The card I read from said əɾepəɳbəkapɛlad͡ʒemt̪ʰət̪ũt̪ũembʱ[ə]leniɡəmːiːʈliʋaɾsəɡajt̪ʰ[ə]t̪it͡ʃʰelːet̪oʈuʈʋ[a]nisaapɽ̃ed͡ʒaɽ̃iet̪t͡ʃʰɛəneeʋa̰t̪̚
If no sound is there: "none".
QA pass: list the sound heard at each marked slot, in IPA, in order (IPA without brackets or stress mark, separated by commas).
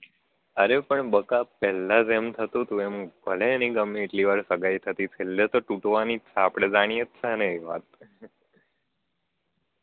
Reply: ə, ə, a